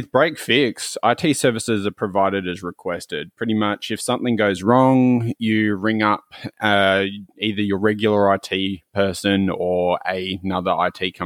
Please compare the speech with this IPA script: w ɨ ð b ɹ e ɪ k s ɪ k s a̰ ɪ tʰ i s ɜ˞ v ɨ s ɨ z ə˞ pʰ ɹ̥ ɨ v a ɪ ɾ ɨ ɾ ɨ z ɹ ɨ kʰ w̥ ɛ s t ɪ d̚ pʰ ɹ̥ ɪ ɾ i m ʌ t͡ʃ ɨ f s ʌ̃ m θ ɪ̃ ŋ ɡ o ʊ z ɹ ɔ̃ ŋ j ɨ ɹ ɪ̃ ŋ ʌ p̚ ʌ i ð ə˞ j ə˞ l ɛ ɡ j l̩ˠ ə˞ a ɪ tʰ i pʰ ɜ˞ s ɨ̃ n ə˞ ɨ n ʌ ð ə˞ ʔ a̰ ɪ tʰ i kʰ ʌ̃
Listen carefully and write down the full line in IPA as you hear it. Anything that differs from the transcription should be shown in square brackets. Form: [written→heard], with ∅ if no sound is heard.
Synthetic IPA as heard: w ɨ ð b ɹ e ɪ k [s→f] ɪ k s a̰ ɪ tʰ i s ɜ˞ v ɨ s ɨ z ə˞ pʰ ɹ̥ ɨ v a ɪ ɾ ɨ ɾ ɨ z ɹ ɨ kʰ w̥ ɛ s t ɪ d̚ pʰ ɹ̥ ɪ ɾ i m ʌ t͡ʃ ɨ f s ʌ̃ m θ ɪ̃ ŋ ɡ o ʊ z ɹ ɔ̃ ŋ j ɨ ɹ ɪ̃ ŋ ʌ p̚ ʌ i ð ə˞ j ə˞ [l→ɹ] ɛ ɡ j l̩ˠ ə˞ a ɪ tʰ i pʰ ɜ˞ s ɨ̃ n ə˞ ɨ n ʌ ð ə˞ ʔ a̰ ɪ tʰ i kʰ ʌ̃